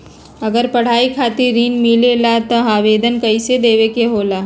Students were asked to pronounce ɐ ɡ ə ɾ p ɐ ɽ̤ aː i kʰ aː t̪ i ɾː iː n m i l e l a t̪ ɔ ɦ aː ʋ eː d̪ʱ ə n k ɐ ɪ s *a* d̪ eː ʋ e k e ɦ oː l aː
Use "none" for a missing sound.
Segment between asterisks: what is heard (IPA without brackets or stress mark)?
e